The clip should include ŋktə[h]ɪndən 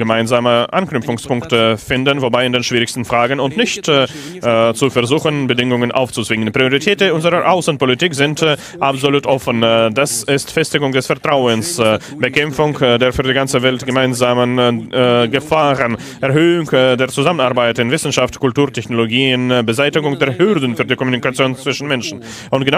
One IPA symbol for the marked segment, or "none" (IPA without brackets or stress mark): f